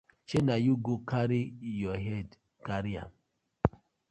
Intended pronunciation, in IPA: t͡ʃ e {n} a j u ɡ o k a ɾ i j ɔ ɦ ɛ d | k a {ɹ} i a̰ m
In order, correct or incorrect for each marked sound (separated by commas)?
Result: correct, incorrect